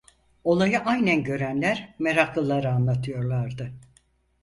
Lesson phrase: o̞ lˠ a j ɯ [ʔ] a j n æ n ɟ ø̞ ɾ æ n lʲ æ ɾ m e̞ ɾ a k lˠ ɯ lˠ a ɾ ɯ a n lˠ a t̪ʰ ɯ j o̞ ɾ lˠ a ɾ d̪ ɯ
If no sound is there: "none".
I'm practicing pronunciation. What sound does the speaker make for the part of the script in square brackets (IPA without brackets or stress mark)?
ʔ